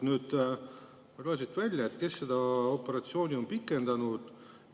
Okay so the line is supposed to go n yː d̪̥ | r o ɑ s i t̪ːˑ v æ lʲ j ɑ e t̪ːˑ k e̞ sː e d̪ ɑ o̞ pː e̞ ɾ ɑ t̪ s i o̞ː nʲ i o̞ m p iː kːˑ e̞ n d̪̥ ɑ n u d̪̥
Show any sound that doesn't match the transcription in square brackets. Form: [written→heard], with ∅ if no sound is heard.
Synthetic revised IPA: n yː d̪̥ | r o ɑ s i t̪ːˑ v æ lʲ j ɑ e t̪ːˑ k e̞ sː e d̪ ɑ o̞ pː e̞ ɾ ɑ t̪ s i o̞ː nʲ i o̞ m p [iː→i] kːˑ e̞ n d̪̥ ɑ n u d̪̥